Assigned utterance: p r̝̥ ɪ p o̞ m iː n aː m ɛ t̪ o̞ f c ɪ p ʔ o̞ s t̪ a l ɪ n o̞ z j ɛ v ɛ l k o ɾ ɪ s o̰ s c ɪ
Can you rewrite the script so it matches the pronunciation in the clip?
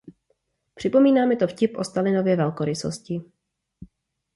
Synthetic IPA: p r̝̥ ɪ p o̞ m iː n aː m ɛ t̪ o̞ f c ɪ p ʔ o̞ s t̪ a l ɪ n o̞ v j ɛ v ɛ l k o ɾ ɪ s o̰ s c ɪ